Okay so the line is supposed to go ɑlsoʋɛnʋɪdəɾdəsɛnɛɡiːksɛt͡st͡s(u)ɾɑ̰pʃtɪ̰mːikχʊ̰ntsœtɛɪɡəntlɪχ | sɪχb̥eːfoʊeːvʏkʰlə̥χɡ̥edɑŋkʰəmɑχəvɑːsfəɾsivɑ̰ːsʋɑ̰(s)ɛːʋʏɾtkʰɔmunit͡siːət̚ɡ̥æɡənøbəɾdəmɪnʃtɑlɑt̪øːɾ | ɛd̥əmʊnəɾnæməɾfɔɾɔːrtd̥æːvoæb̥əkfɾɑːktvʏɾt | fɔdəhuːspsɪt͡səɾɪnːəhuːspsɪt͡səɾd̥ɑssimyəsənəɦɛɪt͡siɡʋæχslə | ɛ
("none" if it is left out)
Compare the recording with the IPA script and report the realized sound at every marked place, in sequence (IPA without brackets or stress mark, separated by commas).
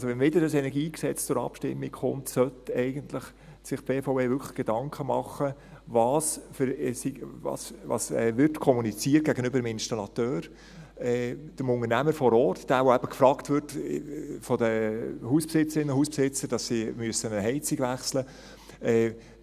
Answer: ʊ, s